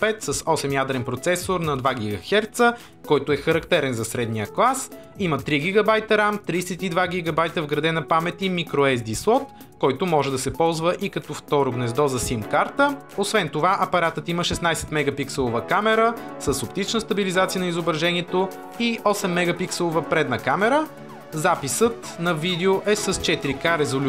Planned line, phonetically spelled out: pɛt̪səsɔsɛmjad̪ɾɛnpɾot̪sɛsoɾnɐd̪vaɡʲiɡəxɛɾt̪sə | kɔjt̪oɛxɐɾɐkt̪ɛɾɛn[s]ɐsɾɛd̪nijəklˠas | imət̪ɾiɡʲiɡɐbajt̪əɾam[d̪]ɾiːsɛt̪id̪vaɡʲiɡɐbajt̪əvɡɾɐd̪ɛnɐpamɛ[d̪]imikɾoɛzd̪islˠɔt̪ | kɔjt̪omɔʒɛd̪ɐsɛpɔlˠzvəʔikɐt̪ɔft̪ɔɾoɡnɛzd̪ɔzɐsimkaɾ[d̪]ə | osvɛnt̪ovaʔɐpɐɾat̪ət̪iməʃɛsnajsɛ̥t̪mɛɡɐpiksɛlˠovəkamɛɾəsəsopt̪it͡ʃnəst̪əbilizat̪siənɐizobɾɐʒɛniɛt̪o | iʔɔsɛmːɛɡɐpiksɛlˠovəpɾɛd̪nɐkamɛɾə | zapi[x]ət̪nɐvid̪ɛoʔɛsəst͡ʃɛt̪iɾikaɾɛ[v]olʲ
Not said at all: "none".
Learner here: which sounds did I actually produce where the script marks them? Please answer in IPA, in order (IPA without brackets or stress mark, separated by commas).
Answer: z, t̪, t̪, t̪, s, z